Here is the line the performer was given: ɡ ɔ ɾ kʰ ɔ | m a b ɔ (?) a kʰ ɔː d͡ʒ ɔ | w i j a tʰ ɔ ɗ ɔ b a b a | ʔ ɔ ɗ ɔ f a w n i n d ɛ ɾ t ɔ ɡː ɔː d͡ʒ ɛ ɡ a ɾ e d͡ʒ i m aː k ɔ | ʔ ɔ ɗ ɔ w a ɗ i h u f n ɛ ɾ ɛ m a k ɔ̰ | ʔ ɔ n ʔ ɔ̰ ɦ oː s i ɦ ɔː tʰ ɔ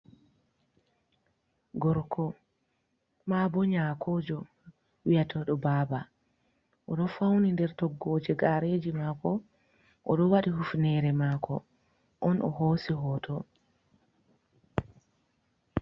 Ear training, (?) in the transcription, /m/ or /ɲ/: ɲ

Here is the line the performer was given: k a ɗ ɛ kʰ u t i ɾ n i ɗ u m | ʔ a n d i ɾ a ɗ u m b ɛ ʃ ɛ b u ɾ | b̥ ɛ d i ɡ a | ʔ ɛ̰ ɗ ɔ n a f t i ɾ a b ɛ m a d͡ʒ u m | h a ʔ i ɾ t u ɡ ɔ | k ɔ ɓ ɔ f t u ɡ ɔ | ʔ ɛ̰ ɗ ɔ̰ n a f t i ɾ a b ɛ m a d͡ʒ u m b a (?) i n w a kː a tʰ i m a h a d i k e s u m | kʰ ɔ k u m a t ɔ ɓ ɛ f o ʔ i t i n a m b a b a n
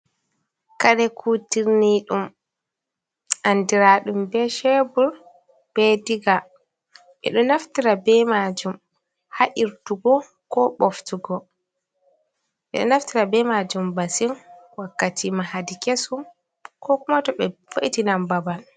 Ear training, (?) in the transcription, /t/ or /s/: s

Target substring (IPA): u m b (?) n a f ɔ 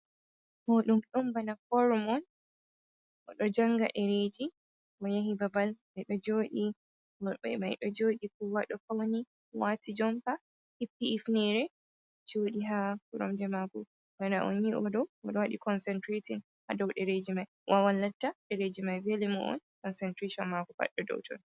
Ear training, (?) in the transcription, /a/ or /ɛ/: a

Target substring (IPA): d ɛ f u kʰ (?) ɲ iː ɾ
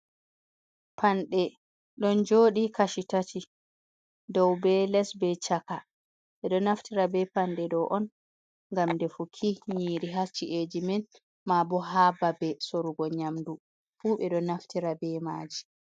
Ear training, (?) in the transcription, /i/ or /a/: i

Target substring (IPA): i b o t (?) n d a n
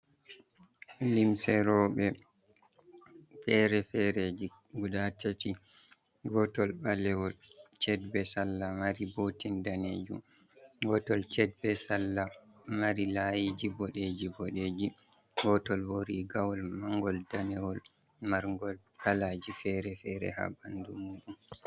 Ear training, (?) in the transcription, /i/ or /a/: i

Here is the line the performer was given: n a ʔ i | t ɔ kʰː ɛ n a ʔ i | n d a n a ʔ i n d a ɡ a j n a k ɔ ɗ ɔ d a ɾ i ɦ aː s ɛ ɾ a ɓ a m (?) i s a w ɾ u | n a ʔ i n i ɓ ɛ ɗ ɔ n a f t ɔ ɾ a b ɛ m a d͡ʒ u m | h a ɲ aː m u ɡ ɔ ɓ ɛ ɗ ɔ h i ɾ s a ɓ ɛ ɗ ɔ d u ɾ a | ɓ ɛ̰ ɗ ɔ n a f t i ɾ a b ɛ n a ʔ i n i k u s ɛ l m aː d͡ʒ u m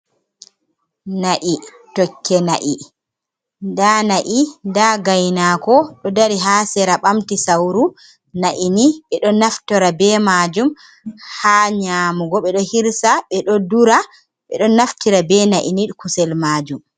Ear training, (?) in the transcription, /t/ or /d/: t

